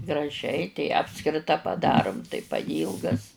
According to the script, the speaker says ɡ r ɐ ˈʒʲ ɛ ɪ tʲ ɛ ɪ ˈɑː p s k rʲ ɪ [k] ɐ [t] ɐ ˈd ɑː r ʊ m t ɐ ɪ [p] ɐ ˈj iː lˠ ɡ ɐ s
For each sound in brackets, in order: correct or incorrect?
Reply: incorrect: t, incorrect: p, correct

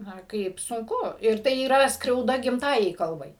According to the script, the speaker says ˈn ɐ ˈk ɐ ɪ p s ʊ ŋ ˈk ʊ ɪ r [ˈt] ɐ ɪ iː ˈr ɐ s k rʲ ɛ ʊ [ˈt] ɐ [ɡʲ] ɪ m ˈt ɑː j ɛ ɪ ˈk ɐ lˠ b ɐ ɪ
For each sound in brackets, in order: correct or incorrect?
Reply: correct, incorrect: d, correct

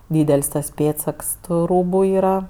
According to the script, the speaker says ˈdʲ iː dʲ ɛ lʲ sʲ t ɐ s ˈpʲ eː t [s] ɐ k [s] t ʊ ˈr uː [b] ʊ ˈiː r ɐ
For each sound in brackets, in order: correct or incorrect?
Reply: correct, correct, correct

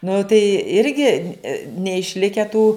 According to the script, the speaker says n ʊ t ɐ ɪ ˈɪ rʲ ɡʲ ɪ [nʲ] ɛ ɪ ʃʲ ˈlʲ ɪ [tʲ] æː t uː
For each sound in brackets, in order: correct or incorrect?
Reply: correct, incorrect: kʲ

